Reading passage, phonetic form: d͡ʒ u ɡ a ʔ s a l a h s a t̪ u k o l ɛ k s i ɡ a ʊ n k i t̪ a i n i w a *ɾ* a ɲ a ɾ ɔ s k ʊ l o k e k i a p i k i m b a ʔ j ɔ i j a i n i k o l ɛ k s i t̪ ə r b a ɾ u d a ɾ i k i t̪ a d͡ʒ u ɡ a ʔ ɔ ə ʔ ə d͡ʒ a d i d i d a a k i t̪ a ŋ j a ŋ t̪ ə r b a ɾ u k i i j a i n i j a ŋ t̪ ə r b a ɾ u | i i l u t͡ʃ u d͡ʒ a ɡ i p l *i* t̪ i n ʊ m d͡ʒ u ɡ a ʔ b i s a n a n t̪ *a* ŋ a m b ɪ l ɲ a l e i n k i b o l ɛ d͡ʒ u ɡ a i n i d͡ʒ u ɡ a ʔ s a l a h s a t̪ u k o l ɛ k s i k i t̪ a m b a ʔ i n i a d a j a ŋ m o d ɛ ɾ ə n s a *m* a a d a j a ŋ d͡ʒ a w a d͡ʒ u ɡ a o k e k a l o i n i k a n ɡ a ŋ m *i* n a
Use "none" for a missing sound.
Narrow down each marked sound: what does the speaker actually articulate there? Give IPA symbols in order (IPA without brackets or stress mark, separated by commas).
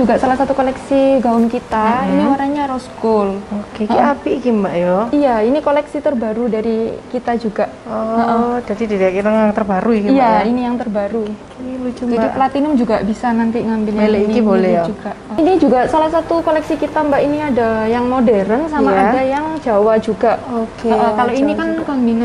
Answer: ɾ, a, i, m, i